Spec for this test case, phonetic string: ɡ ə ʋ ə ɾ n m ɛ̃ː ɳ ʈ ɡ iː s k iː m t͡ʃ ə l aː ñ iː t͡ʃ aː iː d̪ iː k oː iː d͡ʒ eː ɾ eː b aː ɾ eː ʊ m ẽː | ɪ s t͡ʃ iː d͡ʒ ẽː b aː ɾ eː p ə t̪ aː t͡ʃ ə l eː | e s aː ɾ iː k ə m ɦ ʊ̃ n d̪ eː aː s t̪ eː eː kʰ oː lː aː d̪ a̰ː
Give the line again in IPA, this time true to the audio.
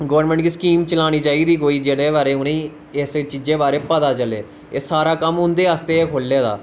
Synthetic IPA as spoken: ɡ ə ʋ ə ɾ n m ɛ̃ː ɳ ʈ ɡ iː s k iː m t͡ʃ ə l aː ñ iː t͡ʃ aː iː d̪ iː k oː iː d͡ʒ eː ɽ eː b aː ɾ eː ʊ n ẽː | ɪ s t͡ʃ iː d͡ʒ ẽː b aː ɾ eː p ə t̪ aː t͡ʃ ə l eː | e s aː ɾ aː k ə m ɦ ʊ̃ n d̪ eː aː s t̪ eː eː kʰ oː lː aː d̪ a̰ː